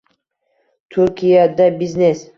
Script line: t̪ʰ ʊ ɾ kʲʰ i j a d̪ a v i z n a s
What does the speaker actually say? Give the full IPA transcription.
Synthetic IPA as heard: t̪ʰ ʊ ɾ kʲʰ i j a d̪ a b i z n e s